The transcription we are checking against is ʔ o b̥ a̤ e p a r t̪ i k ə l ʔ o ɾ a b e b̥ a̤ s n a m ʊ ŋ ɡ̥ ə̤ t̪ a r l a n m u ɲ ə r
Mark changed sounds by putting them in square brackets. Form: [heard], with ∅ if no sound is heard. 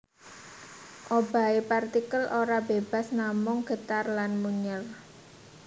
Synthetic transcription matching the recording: ʔ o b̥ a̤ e p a r t̪ i k ə l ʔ o ɾ a b e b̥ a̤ s n a m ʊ ŋ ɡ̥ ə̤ t̪ a r l a n m u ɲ ə r